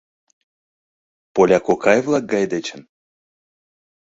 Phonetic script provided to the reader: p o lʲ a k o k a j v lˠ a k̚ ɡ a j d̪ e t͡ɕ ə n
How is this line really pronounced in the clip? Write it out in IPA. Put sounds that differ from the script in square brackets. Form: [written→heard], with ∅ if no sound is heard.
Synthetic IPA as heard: p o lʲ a k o k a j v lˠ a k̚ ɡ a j d̪ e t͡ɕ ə n

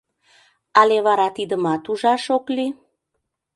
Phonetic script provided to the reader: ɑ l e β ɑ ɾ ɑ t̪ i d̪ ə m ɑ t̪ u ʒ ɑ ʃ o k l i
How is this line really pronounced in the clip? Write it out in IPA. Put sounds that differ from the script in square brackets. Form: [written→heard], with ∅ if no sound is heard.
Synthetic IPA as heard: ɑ l e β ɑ ɾ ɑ t̪ i d̪ ə m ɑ t̪ u ʒ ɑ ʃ o k l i

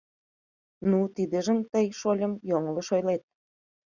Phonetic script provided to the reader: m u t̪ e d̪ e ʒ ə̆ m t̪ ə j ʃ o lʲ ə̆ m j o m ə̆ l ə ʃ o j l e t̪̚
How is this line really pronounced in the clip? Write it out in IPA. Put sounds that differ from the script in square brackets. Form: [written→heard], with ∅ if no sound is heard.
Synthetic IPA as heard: [m→n] u t̪ [e→i] d̪ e ʒ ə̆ m t̪ ə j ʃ o lʲ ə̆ m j o [m→ŋ] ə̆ l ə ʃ o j l e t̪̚

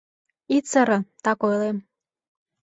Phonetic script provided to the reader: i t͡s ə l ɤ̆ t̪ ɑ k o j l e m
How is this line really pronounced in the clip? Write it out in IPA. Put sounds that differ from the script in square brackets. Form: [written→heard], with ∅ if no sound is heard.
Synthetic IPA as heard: i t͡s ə [l→ɾ] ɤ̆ t̪ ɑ k o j l e m

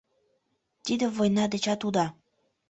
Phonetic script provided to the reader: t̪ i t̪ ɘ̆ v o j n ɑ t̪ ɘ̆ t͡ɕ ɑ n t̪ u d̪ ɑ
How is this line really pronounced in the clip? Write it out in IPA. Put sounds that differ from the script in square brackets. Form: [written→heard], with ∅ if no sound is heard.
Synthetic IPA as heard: t̪ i [t̪→d̪] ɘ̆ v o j n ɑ [t̪→d̪] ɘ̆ t͡ɕ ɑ [n→∅] t̪ u d̪ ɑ

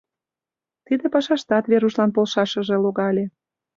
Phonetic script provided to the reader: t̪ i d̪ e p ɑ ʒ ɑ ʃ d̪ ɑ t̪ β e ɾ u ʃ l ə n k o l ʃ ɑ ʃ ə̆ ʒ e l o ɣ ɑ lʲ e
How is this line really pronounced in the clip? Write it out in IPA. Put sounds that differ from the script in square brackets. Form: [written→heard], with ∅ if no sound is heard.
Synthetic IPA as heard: t̪ i d̪ e p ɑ [ʒ→ʃ] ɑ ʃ [d̪→t̪] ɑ t̪ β e ɾ u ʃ l [ə→ɑ] n [k→p] o l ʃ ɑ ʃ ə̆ ʒ e l o ɣ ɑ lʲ e

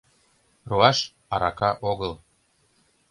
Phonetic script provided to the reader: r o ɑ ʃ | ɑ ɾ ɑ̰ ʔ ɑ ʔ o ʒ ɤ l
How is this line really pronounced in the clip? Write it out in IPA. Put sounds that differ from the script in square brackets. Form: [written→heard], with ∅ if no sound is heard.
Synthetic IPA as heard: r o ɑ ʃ | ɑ ɾ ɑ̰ [ʔ→k] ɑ ʔ o [ʒ→ɣ] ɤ l

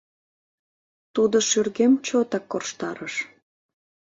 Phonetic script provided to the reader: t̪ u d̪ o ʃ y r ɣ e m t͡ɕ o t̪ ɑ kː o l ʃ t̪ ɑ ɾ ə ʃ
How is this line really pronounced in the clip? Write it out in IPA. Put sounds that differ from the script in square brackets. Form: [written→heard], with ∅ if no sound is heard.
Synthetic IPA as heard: t̪ u d̪ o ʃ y r ɣ e m t͡ɕ o t̪ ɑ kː o [l→r] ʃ t̪ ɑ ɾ ə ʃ

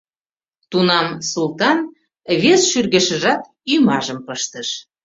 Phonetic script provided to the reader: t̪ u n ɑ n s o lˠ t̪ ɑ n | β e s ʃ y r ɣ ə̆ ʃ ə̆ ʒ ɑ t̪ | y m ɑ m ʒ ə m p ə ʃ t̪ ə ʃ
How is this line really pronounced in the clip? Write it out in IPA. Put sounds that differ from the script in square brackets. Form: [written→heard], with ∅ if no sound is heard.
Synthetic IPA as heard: t̪ u n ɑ [n→m] s [o→u] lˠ t̪ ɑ n | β e s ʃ y r ɣ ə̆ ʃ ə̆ ʒ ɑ t̪ | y m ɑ [m→∅] ʒ ə m p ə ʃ t̪ ə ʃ

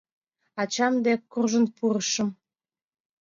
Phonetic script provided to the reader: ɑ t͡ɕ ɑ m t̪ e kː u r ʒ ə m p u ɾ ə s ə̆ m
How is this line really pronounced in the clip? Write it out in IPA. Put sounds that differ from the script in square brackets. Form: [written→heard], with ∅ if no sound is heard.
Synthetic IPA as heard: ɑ t͡ɕ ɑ m [t̪→d̪] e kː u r ʒ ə [m→n] p u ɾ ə [s→ʃ] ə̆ m

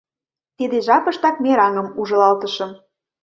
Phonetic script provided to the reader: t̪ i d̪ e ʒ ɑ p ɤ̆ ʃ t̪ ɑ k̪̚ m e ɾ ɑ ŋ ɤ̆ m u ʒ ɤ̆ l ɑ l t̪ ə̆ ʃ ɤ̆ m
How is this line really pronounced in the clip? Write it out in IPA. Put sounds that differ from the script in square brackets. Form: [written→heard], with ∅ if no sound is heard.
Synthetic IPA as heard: t̪ i d̪ e ʒ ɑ p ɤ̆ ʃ t̪ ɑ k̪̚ m e ɾ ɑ ŋ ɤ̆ m u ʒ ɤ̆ l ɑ l t̪ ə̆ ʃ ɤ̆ m

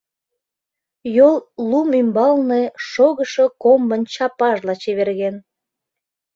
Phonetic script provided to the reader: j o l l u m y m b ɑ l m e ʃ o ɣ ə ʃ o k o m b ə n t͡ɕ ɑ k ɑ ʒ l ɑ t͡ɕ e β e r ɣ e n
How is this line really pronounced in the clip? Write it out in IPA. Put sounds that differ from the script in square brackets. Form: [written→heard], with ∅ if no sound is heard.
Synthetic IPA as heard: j o l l u m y m b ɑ l [m→n] e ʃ o ɣ ə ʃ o k o m b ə n t͡ɕ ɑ [k→p] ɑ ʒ l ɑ t͡ɕ e β e r ɣ e n

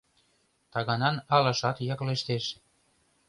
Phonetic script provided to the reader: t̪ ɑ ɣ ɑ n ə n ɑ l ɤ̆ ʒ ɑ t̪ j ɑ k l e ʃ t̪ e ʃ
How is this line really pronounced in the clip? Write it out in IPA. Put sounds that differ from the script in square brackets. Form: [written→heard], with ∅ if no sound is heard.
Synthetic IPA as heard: t̪ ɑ ɣ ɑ n [ə→ɑ] n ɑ l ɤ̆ [ʒ→ʃ] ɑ t̪ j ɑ k l e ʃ t̪ e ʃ

